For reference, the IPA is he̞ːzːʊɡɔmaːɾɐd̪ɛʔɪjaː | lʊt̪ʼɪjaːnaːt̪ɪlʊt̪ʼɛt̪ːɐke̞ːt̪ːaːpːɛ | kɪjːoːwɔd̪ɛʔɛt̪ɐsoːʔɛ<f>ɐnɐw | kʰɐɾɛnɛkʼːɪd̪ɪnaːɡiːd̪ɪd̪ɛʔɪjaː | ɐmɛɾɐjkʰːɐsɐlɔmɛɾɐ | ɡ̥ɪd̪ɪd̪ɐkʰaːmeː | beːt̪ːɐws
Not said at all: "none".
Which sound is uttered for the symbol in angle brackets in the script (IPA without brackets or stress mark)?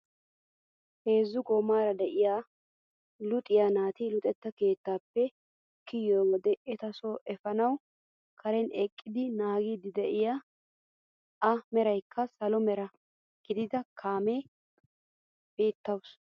f